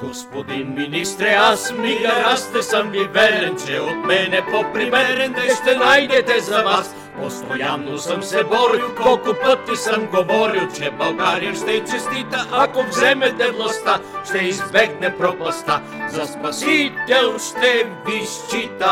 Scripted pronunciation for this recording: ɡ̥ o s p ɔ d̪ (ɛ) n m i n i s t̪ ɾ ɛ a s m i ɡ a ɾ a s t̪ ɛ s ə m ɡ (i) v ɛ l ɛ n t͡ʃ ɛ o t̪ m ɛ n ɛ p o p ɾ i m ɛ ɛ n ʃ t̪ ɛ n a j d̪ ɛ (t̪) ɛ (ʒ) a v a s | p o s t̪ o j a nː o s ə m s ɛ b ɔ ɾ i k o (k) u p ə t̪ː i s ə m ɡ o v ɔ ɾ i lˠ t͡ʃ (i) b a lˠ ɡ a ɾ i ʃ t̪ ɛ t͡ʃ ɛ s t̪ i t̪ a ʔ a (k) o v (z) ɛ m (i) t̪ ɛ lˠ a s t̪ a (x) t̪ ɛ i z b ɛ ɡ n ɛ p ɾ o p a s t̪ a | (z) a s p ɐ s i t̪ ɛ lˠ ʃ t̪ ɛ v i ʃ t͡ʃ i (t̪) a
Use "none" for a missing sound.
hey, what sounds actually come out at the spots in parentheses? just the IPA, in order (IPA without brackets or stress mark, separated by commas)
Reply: i, i, t̪, z, k, ɛ, k, z, ɛ, ʃ, z, t̪